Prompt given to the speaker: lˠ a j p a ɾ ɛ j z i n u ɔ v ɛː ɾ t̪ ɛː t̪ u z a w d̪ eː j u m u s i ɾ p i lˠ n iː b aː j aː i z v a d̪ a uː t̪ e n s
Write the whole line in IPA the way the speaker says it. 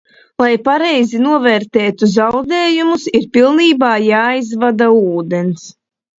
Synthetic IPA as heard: lˠ a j p a ɾ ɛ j z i n u ɔ v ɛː ɾ t̪ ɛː t̪ u z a w d̪ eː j u m u s i ɾ p i lˠ n iː b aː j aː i z v a d̪ a uː d̪ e n s